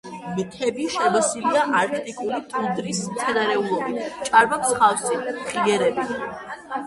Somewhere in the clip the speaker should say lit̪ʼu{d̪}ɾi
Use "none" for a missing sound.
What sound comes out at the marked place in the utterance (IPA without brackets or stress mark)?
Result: d̪